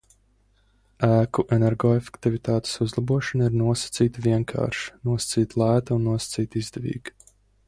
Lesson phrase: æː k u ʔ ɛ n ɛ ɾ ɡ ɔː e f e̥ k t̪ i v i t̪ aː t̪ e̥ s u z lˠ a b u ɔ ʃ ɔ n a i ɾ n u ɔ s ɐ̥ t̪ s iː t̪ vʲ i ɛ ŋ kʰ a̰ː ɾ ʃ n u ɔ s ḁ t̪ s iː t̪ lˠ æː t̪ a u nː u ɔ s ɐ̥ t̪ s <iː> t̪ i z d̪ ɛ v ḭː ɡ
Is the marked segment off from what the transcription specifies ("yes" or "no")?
no